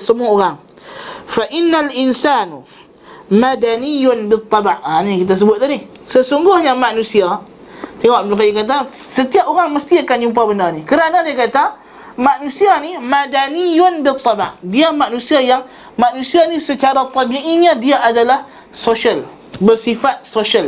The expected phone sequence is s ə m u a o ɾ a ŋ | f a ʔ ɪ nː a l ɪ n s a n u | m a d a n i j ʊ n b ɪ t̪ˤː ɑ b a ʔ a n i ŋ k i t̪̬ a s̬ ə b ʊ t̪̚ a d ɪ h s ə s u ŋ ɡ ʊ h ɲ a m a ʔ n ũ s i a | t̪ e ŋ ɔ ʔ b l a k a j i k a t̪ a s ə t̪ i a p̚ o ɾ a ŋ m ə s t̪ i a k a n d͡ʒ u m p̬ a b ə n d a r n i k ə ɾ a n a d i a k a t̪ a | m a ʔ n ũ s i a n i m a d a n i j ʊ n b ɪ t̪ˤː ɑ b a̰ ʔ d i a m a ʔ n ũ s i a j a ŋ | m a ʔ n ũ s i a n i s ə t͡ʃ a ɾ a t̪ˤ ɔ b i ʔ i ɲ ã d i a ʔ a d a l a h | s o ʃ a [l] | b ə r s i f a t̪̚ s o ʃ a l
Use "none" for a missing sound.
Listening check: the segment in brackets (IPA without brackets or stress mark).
l